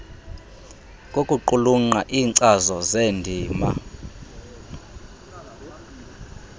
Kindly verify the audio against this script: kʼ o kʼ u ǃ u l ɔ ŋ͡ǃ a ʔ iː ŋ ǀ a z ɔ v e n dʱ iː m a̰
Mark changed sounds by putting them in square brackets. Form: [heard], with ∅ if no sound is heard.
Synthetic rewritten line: kʼ o kʼ u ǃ u l [u] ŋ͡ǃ a ʔ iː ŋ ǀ a z ɔ [z] e n dʱ iː m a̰

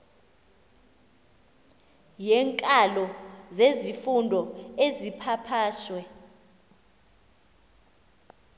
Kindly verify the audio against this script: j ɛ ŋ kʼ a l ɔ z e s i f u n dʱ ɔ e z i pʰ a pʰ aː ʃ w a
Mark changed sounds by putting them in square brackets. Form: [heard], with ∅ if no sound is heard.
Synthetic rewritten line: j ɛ ŋ kʼ a l ɔ z e [z] i f u n dʱ ɔ e z i pʰ a pʰ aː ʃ w [ɛ]

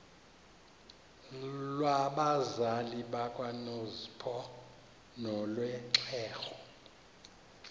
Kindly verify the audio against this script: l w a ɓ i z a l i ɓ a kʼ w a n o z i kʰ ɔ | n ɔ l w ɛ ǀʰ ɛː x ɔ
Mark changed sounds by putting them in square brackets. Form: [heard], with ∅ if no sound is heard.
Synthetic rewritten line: l w a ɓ [a] z a l i ɓ a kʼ w a n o z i [pʰ] ɔ | n ɔ l w ɛ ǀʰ ɛː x ɔ

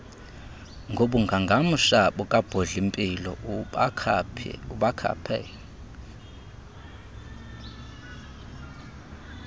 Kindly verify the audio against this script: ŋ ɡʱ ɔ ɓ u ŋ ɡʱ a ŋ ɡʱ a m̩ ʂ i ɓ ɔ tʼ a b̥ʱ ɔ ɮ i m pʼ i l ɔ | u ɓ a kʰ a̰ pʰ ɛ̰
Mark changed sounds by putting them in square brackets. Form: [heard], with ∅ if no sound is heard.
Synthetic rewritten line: ŋ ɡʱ [o] ɓ u ŋ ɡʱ a ŋ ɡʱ a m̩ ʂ [a] ɓ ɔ [kʼ] a b̥ʱ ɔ ɮ i m pʼ i l ɔ | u ɓ a kʰ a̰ pʰ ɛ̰

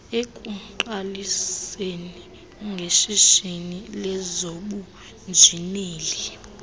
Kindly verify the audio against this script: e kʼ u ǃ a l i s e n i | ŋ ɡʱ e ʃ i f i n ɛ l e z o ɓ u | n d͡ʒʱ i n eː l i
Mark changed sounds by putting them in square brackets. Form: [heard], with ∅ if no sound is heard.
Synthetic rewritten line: e kʼ u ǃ a l i s e n i | ŋ ɡʱ e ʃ i [ʃ] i n [i] l [ɛ] z o ɓ u | n d͡ʒʱ i n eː l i

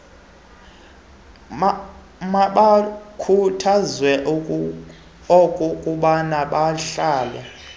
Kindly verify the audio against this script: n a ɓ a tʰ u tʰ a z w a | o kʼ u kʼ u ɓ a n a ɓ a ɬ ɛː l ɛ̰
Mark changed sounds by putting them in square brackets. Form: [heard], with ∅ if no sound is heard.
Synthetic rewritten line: [m] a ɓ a [kʰ] u tʰ a z w [ɛ] | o kʼ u kʼ u ɓ a n a ɓ a ɬ [aː] l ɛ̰

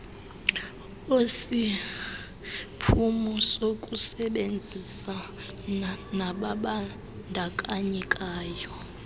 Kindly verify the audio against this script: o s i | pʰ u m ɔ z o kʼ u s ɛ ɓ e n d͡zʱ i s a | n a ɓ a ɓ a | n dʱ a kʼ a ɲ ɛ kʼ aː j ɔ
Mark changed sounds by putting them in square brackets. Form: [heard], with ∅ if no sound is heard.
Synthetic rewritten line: o s i | pʰ u m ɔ [s] o kʼ u s ɛ ɓ e n d͡zʱ i s a | n a ɓ a ɓ a | n dʱ a kʼ a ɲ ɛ kʼ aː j ɔ

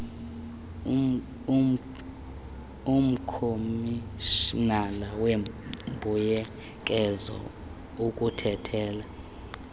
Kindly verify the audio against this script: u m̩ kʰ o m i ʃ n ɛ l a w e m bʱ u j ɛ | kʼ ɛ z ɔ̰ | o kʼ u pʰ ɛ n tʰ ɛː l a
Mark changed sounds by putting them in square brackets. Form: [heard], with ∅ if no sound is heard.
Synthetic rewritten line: u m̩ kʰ o m i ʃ n [a] l a w e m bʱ u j ɛ | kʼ ɛ z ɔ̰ | [u] kʼ u [tʰ] ɛ [∅] tʰ ɛː l a

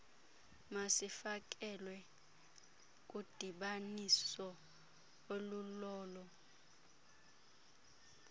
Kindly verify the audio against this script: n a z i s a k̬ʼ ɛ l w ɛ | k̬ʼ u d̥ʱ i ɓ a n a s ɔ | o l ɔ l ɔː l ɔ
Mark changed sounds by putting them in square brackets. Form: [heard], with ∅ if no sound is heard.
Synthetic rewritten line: [m] a [s] i [f] a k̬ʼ ɛ l w ɛ | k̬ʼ u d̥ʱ i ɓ a n [i] s ɔ | o l [u] l ɔː l ɔ

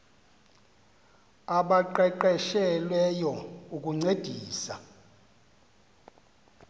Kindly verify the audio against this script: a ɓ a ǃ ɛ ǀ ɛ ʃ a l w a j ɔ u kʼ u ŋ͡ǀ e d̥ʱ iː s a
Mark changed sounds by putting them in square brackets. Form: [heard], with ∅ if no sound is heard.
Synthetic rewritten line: a ɓ a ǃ ɛ [ǃ] ɛ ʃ [ɛ] l w [ɛ] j ɔ u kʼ u ŋ͡ǀ e d̥ʱ iː s a

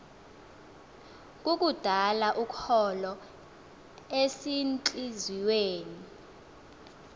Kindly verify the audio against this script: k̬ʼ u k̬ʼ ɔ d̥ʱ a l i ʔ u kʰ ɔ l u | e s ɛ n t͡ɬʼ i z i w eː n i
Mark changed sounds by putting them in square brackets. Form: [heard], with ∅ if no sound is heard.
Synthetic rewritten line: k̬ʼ u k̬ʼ [u] d̥ʱ a l [a] ʔ u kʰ ɔ l [ɔ] | e s [i] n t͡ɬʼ i z i w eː n i

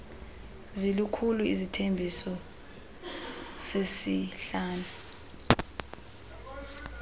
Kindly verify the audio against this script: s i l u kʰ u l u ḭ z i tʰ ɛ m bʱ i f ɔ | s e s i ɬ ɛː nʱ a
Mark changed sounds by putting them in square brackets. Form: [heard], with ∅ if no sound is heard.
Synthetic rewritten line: [z] i l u kʰ u l u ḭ z i tʰ [e] m bʱ i [s] ɔ | s e s i ɬ [aː] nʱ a

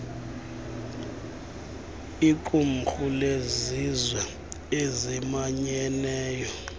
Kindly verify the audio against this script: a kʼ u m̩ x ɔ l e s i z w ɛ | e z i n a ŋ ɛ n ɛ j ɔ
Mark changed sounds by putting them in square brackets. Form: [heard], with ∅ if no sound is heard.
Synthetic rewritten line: [i] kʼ u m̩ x [u] l e [z] i z w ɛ | e z i [m] a [ɲ] ɛ n [ɛː] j ɔ

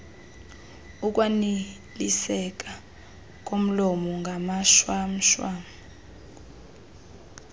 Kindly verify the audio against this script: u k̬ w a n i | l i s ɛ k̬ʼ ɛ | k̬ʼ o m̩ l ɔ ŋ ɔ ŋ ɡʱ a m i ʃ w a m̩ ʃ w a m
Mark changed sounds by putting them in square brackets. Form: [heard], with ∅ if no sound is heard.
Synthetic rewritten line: u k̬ w a n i | l i s ɛ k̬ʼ [a] | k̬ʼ o m̩ l ɔ [m] ɔ ŋ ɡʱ a m [a] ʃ w a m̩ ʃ w a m

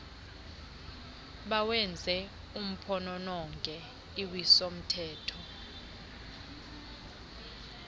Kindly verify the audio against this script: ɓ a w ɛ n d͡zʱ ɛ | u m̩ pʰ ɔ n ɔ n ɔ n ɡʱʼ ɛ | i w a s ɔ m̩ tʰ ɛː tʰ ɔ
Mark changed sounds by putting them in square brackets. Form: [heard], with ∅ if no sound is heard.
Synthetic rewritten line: ɓ a w ɛ n d͡zʱ ɛ | u m̩ pʰ ɔ n ɔ n ɔ [ŋ] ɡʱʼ ɛ | i w [i] s [o] m̩ tʰ ɛː tʰ ɔ

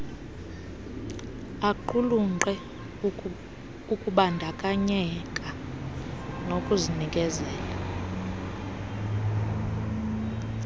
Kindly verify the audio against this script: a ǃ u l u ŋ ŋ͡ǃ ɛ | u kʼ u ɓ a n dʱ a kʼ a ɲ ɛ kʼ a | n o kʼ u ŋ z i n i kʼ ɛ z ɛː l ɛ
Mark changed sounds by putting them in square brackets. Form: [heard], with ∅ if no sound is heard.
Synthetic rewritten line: a ǃ u l u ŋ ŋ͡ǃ ɛ | u kʼ u ɓ a n dʱ a kʼ a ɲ ɛ kʼ a | n o kʼ u [∅] z i n i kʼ ɛ z ɛː l [a]

